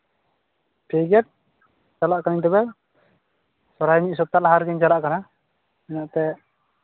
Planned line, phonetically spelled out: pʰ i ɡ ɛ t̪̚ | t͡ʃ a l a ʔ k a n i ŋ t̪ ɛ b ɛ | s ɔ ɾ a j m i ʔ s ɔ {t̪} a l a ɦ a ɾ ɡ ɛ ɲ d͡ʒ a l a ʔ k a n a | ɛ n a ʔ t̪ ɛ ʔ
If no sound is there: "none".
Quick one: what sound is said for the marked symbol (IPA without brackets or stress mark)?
t̪